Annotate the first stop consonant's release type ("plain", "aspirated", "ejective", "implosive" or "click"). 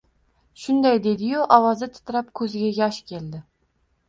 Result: plain